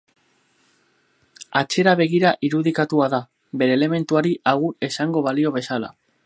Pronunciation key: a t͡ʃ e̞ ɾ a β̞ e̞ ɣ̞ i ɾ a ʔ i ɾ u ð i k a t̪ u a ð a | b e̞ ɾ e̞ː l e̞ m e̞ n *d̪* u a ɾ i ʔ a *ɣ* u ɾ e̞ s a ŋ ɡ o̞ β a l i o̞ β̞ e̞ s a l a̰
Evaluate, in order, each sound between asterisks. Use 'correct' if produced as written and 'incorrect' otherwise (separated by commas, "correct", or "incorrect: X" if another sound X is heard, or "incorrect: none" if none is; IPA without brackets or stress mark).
incorrect: t̪, correct